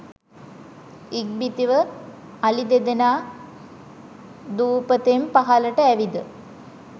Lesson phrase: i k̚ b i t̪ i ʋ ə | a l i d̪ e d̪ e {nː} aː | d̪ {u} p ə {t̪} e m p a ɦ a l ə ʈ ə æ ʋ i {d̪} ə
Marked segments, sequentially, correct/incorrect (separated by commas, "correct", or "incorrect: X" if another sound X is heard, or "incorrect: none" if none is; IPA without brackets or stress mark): incorrect: n, incorrect: uː, correct, correct